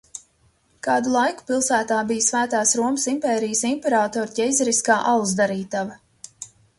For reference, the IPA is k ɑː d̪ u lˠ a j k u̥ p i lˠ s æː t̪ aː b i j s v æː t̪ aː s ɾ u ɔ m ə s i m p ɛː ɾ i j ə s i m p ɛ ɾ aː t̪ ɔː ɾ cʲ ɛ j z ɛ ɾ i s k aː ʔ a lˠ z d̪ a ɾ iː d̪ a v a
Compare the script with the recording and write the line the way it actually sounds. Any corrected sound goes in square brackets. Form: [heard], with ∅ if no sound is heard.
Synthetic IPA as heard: k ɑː d̪ u lˠ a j k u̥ p i lˠ s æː t̪ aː b i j s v æː t̪ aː s ɾ u ɔ m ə s i m p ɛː ɾ i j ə s i m p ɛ ɾ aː t̪ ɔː ɾ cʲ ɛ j z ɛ ɾ i s k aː ʔ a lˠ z d̪ a ɾ iː [t̪] a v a